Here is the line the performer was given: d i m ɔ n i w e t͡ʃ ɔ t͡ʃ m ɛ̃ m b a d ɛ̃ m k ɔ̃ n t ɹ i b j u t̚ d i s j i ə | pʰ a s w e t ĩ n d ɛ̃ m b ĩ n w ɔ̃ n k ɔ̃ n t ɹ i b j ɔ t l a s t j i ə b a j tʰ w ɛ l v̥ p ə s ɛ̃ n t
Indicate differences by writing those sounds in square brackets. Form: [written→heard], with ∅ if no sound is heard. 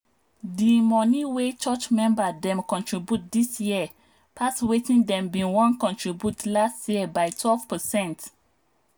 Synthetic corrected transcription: d i m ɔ n i w e t͡ʃ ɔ t͡ʃ m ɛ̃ m b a d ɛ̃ m k ɔ̃ n t ɹ i b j u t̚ d i s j i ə | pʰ a s w e t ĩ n d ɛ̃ m b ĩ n w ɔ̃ n k ɔ̃ n t ɹ i b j [ɔ→u] t l a s t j i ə b a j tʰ w ɛ l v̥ p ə s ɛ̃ n t